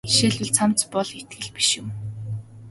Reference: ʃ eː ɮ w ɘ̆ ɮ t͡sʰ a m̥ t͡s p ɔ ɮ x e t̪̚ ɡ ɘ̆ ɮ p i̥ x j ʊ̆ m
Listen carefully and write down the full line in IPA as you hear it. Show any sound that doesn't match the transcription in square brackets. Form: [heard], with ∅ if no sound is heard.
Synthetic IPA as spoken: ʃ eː ɮ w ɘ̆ ɮ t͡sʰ a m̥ t͡s p ɔ ɮ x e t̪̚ ɡ ɘ̆ ɮ p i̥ [ʃ] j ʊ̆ m